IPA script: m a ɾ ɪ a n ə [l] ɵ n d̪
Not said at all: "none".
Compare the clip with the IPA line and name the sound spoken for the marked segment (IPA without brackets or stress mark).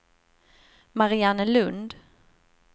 l